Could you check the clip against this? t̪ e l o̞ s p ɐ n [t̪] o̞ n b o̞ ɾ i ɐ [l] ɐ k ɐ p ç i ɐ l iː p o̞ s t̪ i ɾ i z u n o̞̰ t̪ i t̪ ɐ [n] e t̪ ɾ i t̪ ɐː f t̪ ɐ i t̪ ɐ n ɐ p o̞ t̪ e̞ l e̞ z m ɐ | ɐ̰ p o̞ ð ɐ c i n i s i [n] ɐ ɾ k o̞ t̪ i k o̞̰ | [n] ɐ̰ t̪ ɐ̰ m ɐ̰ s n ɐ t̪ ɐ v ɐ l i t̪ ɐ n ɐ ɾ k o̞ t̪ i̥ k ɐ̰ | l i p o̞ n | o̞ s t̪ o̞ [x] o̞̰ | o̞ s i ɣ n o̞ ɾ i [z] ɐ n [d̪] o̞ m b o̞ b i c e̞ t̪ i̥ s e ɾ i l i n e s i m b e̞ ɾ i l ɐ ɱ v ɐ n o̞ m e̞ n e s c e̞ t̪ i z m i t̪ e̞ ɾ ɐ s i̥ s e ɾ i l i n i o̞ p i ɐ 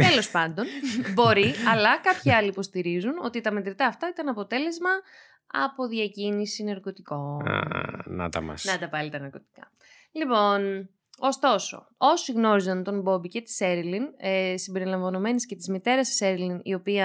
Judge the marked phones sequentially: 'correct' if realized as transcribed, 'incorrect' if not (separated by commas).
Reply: incorrect, correct, incorrect, correct, correct, incorrect, correct, incorrect